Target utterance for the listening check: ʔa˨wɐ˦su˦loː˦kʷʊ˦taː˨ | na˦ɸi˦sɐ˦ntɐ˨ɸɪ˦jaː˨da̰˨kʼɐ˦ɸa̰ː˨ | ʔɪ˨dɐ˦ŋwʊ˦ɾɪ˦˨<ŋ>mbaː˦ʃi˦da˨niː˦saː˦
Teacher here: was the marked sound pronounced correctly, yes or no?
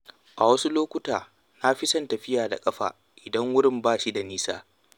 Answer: no